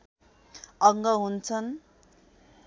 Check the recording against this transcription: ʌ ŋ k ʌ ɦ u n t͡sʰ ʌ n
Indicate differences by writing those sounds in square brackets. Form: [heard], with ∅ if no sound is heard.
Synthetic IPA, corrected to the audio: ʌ ŋ [ɡ] ʌ ɦ u n t͡sʰ ʌ n